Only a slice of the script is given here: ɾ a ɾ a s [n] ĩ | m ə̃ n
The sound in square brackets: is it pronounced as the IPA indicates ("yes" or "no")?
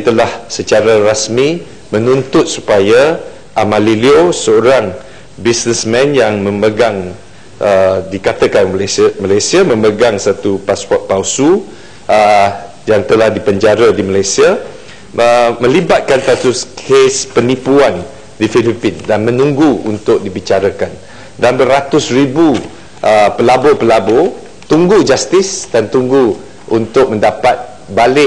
no